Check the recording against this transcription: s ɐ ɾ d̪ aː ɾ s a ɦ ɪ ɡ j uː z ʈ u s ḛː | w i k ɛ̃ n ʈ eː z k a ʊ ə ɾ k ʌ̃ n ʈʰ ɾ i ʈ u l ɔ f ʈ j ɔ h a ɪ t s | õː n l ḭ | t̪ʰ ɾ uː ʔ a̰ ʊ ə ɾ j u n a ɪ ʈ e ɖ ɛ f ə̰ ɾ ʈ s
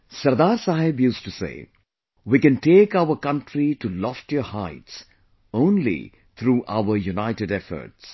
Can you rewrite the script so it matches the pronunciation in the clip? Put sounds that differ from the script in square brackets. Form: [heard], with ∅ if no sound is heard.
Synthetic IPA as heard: s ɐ ɾ d̪ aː ɾ s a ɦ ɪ [b] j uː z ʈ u s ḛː | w i k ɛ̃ n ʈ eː [∅] k a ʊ ə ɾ k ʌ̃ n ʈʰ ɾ i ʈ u l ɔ f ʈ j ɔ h a ɪ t s | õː n l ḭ | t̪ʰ ɾ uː ʔ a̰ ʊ ə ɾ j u n a ɪ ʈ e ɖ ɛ f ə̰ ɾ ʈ s

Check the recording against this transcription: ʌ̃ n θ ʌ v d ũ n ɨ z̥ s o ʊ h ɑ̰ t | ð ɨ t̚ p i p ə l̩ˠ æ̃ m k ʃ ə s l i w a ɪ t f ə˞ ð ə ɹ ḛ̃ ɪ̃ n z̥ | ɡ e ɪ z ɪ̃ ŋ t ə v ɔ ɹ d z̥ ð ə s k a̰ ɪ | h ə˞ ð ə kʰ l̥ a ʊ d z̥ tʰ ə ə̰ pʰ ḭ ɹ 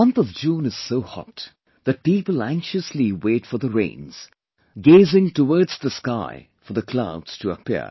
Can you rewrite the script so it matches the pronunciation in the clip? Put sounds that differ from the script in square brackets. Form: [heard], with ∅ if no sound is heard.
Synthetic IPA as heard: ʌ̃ n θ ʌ v [d͡ʒ] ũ n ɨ z̥ s o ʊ h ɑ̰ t | ð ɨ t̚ p i p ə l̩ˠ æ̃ [ŋ] k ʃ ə s l i w [e] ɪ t f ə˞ ð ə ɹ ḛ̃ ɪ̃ n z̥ | ɡ e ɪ z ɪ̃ ŋ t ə [w] ɔ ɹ d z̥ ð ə s k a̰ ɪ | [f] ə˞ ð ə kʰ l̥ a ʊ d z̥ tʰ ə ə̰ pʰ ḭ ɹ

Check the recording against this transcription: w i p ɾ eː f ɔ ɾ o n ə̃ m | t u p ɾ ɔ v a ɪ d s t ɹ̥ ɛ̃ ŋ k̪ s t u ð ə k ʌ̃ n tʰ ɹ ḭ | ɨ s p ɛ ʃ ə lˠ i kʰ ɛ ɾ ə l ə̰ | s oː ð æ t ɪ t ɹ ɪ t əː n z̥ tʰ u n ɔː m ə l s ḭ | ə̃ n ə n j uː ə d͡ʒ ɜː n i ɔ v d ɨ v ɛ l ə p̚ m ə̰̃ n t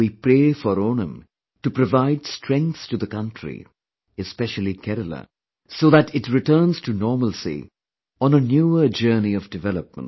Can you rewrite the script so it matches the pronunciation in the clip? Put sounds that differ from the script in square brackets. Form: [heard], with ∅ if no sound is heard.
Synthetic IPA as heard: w i p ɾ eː f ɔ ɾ o n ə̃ m | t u p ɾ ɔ v a ɪ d s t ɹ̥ ɛ̃ ŋ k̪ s t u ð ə k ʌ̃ n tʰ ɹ ḭ | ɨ s p ɛ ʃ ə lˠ i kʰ ɛ ɾ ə l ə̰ | s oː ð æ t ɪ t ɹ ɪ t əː n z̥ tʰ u n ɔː m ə l s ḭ | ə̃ n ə n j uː ə d͡ʒ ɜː n i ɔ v d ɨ v ɛ l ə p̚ m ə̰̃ n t

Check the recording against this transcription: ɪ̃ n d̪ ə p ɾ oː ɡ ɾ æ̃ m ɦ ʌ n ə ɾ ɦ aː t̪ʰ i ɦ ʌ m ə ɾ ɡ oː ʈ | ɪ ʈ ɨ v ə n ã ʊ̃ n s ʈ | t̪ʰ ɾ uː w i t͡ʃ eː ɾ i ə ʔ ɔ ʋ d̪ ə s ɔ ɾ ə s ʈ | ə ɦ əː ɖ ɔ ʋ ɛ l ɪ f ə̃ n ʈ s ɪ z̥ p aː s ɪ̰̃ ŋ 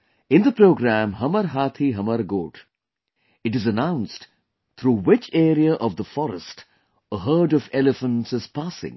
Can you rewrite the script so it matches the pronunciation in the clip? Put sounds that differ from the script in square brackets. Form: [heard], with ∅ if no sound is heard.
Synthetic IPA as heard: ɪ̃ n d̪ ə p ɾ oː ɡ ɾ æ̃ m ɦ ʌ [m] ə ɾ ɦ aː t̪ʰ i ɦ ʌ m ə ɾ ɡ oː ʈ | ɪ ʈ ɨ [z] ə n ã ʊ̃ n s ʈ | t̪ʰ ɾ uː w [ɪ] t͡ʃ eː ɾ i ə ʔ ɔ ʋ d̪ ə [f] ɔ ɾ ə s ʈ | ə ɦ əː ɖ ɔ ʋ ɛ l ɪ f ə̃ n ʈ s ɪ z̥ p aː s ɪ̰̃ ŋ

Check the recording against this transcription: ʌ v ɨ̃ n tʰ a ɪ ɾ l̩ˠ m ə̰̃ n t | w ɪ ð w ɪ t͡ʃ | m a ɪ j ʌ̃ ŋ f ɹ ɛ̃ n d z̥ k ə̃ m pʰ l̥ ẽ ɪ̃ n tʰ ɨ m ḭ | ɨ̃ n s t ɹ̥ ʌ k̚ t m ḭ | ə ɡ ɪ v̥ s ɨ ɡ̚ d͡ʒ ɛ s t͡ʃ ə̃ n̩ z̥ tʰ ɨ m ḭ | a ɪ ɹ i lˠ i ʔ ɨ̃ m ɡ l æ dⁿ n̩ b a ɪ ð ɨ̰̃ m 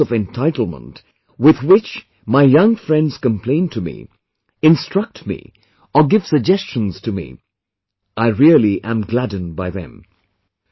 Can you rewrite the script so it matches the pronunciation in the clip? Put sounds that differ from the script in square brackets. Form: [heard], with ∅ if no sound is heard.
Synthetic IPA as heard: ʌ v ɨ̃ n tʰ a ɪ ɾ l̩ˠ m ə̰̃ n t | w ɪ ð w ɪ t͡ʃ | m a ɪ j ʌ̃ ŋ f ɹ ɛ̃ n d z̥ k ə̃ m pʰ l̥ ẽ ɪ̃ n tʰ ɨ m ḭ | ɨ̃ n s t ɹ̥ ʌ k̚ t m ḭ | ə ɡ ɪ v̥ s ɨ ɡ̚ d͡ʒ ɛ s t͡ʃ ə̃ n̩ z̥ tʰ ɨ m ḭ | a ɪ ɹ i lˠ i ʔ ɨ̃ m ɡ l æ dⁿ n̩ b a ɪ ð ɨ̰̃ m

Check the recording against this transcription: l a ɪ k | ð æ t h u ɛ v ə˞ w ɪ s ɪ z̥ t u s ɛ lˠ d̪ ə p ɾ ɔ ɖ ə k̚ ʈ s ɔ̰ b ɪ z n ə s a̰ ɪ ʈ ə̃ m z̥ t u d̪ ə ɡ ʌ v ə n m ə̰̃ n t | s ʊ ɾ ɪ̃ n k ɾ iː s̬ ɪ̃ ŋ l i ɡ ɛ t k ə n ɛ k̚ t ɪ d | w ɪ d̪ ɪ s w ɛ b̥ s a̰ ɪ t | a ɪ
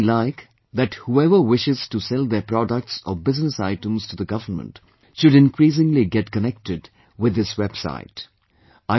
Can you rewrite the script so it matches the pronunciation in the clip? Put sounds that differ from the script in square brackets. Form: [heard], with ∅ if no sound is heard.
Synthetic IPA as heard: l a ɪ k | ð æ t h u ɛ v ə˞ w ɪ [ʃ] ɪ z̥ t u s ɛ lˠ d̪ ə p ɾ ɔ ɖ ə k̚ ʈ s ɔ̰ b ɪ z n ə s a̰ ɪ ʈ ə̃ m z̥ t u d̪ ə ɡ ʌ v ə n m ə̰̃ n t | [ʃ] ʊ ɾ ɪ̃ n k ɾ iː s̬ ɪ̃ ŋ l i ɡ ɛ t k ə n ɛ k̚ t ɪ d | w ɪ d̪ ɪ s w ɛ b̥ s a̰ ɪ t | a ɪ

